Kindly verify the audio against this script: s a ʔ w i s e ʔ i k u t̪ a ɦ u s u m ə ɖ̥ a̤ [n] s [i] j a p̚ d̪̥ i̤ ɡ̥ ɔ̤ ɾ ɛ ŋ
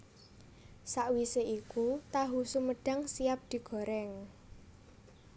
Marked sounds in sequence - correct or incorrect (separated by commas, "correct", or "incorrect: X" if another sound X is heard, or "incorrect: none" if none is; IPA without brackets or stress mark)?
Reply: incorrect: ŋ, correct